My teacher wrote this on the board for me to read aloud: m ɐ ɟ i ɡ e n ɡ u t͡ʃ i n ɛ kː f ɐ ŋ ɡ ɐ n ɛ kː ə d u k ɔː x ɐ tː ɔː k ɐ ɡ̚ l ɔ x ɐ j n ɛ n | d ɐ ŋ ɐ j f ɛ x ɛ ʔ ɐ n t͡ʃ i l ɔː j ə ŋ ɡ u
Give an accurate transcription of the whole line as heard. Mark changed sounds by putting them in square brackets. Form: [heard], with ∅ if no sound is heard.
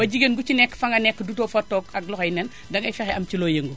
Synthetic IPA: [b] ɐ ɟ i ɡ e n ɡ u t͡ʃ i n ɛ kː f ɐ ŋ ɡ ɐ n ɛ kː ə d u [t] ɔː [f] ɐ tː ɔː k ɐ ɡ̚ l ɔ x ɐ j n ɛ n | d ɐ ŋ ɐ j f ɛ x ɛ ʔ ɐ [m] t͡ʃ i l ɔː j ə ŋ ɡ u